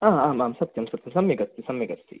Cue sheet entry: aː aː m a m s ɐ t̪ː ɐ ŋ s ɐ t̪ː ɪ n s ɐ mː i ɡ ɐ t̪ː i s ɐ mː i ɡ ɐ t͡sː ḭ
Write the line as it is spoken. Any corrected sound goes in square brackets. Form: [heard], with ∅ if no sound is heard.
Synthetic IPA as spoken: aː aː m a m s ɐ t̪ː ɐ [m] s ɐ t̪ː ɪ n s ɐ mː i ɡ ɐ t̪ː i s ɐ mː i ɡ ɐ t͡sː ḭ